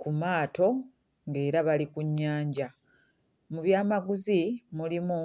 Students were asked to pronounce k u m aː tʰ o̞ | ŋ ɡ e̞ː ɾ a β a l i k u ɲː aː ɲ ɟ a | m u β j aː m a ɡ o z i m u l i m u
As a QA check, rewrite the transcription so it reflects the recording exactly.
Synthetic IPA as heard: k u m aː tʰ o̞ | ŋ ɡ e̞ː ɾ a β a l i k u ɲː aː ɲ ɟ a | m u β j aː m a ɡ u z i m u l i m u